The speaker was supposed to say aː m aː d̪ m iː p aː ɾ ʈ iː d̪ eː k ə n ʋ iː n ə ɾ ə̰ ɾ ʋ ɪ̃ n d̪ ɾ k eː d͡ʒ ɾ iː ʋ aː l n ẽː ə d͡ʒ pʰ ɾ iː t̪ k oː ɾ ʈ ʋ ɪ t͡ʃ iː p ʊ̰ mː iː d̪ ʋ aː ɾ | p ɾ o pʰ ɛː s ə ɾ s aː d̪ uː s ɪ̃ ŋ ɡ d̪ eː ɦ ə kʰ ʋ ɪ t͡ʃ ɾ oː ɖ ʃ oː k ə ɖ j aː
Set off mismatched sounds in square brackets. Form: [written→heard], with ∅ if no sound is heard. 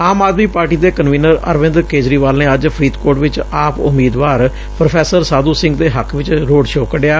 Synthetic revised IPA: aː m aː d̪ m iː p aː ɾ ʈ iː d̪ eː k ə n ʋ iː n ə ɾ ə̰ ɾ ʋ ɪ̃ n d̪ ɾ k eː d͡ʒ ɾ iː ʋ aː l n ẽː ə d͡ʒ pʰ ɾ iː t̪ k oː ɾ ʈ ʋ ɪ t͡ʃ [iː→aː] p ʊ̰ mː iː d̪ ʋ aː ɾ | p ɾ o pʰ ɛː s ə ɾ s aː d̪ uː s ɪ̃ ŋ ɡ d̪ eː ɦ ə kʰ ʋ ɪ t͡ʃ ɾ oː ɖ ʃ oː k ə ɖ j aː